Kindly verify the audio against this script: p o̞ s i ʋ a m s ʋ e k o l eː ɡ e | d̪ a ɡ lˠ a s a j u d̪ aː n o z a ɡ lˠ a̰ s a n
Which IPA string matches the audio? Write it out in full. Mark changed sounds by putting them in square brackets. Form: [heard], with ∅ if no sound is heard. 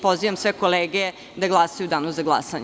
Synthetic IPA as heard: p o̞ [z] i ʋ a m s ʋ e k o l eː ɡ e | d̪ a ɡ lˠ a s a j u d̪ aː n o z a ɡ lˠ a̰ s a [ɲ]